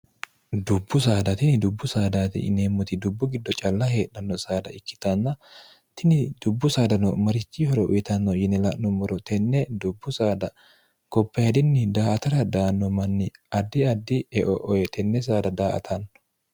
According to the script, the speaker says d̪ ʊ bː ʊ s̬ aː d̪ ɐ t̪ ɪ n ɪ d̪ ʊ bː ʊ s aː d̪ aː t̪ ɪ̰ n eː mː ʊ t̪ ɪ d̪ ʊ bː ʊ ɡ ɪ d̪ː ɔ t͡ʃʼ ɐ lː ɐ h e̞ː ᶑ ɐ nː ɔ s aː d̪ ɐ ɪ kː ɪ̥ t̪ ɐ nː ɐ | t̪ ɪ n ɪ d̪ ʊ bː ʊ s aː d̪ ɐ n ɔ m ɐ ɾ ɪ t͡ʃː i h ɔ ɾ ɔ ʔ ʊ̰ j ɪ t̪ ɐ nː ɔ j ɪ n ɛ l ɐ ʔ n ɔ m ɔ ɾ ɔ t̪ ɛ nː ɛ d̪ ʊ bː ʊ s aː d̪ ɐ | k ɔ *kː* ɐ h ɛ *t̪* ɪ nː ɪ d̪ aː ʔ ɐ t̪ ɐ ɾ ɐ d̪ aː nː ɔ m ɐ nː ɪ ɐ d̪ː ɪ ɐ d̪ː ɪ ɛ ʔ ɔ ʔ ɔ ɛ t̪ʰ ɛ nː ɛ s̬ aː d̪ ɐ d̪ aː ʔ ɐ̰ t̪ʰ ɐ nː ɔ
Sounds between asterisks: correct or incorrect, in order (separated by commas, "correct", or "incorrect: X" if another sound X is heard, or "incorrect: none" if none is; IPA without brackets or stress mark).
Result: incorrect: pː, incorrect: d̪